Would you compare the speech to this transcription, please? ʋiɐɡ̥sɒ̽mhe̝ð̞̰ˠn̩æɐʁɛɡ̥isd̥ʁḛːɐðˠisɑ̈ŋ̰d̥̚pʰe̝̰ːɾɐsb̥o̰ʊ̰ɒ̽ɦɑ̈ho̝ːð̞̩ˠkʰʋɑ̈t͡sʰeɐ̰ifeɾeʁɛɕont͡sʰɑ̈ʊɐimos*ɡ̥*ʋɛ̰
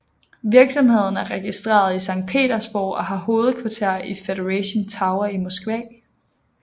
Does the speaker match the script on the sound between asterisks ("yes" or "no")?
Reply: yes